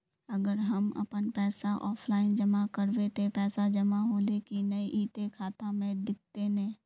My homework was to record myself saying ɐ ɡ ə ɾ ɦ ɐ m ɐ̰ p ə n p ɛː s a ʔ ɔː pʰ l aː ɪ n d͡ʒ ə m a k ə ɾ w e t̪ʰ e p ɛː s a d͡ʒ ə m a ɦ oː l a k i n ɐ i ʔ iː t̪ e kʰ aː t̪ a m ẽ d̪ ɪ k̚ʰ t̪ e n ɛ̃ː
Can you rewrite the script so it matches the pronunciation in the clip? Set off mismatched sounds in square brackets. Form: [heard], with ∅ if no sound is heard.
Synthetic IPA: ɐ ɡ ə ɾ ɦ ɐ m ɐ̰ p ə n p ɛː s a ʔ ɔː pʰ l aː ɪ n d͡ʒ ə m a k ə ɾ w e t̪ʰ e p ɛː s a d͡ʒ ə m a ɦ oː l [e] k i n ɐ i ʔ iː t̪ e kʰ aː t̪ a m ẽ d̪ ɪ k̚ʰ t̪ e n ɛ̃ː